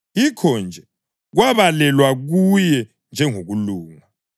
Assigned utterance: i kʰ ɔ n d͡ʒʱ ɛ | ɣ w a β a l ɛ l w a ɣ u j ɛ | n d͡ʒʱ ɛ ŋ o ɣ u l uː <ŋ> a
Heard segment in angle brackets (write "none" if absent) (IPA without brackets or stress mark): ŋ